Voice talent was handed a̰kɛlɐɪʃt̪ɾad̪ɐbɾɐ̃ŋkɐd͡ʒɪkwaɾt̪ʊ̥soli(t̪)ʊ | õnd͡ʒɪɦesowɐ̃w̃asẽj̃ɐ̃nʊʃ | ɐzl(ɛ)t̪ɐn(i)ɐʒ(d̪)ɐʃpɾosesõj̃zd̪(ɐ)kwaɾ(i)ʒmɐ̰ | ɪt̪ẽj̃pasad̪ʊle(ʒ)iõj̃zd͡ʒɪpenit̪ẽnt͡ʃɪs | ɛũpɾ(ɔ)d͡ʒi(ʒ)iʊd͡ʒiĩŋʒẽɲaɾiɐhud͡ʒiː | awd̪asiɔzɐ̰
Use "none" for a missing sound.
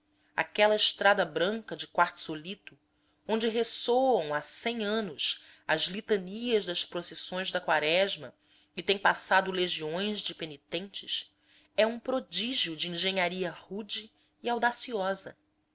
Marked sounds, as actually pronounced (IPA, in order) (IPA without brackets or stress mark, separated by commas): t̪, i, i, d̪, ɐ, ɛ, ʒ, o, ʒ